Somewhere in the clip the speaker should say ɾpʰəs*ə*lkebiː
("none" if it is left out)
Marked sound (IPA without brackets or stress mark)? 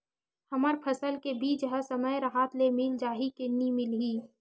ə